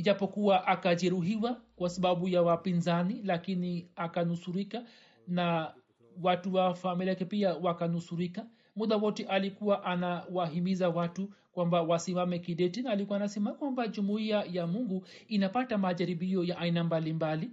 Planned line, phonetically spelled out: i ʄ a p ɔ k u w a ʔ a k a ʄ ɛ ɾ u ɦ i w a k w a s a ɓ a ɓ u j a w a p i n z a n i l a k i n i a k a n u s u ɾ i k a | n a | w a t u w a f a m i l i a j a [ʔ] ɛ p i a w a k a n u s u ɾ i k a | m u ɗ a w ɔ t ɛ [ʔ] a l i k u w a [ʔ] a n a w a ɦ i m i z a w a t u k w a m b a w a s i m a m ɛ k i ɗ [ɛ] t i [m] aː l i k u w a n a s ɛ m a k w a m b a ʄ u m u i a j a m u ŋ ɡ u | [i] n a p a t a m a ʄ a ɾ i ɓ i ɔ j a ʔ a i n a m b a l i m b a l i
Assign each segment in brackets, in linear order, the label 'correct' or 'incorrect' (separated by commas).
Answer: incorrect, correct, correct, correct, incorrect, correct